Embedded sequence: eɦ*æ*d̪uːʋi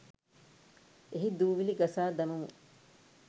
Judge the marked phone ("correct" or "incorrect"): incorrect